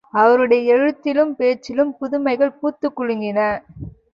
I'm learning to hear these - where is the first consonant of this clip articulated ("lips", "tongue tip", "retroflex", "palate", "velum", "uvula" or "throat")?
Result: lips